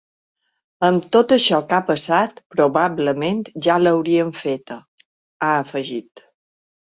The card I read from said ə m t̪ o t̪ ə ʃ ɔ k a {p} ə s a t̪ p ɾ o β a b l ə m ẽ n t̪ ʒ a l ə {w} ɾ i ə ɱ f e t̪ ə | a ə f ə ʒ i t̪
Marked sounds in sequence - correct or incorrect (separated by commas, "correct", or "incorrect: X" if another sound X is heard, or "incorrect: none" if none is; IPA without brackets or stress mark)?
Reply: correct, correct